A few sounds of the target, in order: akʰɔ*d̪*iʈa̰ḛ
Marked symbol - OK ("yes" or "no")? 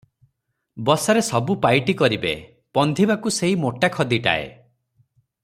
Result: yes